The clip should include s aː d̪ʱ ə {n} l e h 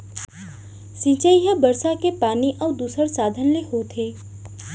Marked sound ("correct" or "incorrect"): correct